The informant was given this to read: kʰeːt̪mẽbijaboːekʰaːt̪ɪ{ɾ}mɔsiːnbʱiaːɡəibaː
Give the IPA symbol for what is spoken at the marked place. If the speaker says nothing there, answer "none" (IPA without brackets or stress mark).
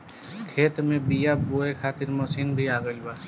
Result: ɾ